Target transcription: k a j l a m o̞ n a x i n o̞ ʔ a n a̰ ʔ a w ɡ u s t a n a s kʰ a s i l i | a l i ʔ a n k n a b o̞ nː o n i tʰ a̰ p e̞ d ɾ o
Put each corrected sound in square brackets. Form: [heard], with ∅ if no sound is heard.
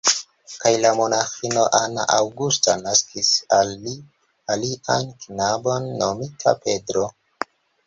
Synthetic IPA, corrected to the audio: k a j l a m o̞ n a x i n o̞ ʔ a n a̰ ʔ a w ɡ u s t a n a s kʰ [i] s [a] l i | a l i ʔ a n k n a b o̞ nː o [m] i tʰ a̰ p e̞ d ɾ o

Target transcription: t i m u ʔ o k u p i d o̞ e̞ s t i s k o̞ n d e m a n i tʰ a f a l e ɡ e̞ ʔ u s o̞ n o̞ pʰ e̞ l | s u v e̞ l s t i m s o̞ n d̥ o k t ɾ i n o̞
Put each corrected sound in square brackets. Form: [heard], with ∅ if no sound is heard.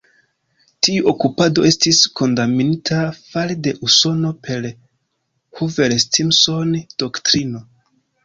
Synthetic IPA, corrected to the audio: t i [∅] u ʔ o k u p [a] d o̞ e̞ s t i s k o̞ n d [a] m [i] n i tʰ a f a l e [d] e̞ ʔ u s o̞ n o̞ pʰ e̞ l | [h] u v e̞ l s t i m s o̞ n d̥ o k t ɾ i n o̞

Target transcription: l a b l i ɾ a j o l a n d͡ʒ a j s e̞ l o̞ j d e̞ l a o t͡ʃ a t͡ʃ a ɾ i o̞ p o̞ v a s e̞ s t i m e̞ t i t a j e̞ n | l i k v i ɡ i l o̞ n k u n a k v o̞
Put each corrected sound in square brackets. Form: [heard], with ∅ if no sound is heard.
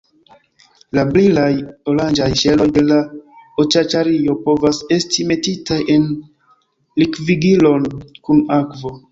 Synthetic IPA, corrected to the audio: l a b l i [l] a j o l a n d͡ʒ a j [ʃ] e̞ l o̞ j d e̞ l a o t͡ʃ a t͡ʃ a ɾ i o̞ p o̞ v a s e̞ s t i m e̞ t i t a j e̞ n | l i k v i ɡ i l o̞ n k u n a k v o̞

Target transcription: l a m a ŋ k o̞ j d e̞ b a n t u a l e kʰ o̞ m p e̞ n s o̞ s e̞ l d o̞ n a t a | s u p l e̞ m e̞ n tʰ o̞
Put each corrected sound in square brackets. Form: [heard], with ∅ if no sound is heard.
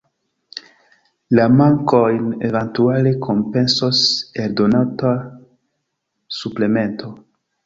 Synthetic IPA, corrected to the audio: l a m a ŋ k o̞ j [n] e̞ [v] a n t u a l e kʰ o̞ m p e̞ n s o̞ s e̞ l d o̞ n a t a | s u p l e̞ m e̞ n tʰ o̞

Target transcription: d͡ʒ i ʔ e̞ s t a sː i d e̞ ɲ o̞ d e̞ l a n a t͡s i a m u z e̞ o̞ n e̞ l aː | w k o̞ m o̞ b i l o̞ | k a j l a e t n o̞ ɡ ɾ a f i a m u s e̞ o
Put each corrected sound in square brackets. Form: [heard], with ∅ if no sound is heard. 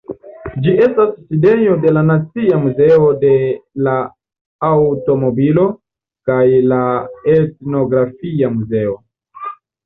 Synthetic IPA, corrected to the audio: d͡ʒ i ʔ e̞ s t a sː i d e̞ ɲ o̞ d e̞ l a n a t͡s i a m u z e̞ o̞ [d] e̞ l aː | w [t] o̞ m o̞ b i l o̞ | k a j l a e t n o̞ ɡ ɾ a f i a m u [z] e̞ o

